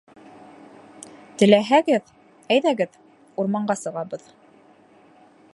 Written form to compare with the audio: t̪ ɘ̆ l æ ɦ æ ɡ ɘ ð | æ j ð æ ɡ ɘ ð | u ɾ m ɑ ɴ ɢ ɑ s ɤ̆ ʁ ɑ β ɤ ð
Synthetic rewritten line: t̪ ɘ̆ l æ ɦ æ ɡ ɘ ð | æ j ð æ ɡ ɘ ð | u ɾ m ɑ ɴ ɢ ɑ s ɤ̆ ʁ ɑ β ɤ ð